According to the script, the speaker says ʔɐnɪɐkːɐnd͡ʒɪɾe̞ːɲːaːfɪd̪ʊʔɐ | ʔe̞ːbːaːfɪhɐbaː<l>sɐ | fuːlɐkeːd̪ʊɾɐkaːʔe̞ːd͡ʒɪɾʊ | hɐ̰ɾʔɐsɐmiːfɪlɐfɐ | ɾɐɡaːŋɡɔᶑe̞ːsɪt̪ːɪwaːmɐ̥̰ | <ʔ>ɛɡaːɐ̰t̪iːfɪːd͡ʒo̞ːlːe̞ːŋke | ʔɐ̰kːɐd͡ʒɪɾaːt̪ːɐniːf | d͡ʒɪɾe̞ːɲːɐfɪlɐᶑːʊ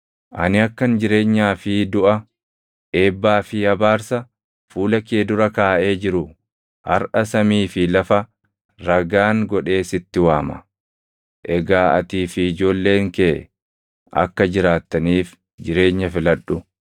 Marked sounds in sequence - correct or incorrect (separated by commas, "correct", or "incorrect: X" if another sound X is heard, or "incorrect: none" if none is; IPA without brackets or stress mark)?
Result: incorrect: ɾ, correct